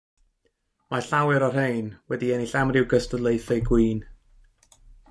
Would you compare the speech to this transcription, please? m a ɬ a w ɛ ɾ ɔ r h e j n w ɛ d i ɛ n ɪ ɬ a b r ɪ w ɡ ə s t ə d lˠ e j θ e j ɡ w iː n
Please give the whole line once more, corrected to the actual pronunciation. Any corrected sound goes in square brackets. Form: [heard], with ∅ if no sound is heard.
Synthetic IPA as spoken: m a ɬ a w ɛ ɾ ɔ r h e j n w ɛ d i ɛ n [i] ɬ a [m] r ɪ w ɡ ə s t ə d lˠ e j θ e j ɡ w iː n